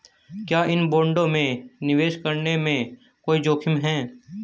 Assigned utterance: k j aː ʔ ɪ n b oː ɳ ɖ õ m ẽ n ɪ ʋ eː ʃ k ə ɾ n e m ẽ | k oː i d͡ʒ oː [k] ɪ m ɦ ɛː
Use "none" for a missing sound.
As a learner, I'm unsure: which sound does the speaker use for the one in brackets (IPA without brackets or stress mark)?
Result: kʰ